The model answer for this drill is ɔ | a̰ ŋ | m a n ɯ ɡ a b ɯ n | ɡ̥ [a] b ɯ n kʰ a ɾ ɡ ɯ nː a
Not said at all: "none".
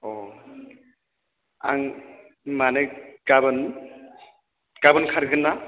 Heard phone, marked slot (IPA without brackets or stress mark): a